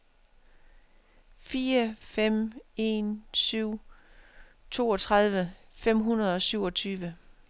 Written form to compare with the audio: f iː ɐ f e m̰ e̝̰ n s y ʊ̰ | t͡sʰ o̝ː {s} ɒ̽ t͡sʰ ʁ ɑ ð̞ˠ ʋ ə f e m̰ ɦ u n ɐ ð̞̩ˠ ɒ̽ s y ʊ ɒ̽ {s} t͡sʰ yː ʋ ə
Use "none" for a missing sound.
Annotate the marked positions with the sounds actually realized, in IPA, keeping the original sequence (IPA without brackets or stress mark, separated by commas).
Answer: none, none